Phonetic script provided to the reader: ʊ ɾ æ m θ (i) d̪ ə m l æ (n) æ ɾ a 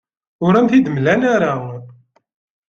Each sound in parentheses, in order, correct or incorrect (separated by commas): correct, correct